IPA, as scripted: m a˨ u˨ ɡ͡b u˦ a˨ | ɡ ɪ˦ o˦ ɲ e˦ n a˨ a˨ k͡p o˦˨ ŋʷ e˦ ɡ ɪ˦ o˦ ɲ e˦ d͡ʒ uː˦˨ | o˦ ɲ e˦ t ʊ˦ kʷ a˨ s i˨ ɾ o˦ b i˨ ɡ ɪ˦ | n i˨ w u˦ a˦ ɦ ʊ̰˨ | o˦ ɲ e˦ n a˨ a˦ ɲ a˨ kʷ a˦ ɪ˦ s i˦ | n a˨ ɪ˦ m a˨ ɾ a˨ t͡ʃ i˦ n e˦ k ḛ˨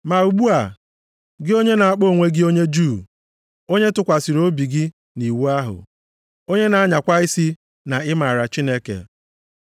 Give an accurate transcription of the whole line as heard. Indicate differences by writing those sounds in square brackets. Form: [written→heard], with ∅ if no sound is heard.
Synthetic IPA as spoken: m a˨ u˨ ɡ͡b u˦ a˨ | ɡ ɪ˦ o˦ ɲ e˦ n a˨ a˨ k͡p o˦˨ ŋʷ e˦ ɡ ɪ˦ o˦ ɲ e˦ d͡ʒ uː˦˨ | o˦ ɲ e˦ t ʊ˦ kʷ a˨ s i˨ ɾ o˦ b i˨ ɡ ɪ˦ | n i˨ w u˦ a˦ ɦ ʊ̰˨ | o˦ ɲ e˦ n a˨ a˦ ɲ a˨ kʷ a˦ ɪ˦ s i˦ | n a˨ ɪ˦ m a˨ ɾ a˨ t͡ʃ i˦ n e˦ k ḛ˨